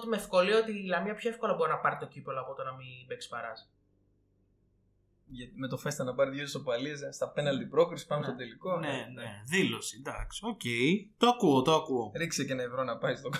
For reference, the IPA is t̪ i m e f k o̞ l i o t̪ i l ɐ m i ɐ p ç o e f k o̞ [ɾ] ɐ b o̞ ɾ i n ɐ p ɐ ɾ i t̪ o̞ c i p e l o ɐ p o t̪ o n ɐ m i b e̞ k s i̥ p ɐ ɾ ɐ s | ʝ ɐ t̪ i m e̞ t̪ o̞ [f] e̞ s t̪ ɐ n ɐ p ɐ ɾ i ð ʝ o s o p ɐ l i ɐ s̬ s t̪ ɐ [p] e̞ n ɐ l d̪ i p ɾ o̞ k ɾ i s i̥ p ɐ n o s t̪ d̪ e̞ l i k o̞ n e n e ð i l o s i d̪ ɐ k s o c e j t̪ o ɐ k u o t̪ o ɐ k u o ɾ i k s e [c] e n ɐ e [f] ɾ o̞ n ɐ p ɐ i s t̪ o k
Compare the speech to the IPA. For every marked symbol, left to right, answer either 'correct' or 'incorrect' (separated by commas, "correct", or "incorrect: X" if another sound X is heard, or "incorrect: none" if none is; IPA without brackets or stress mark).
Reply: incorrect: l, correct, correct, correct, incorrect: v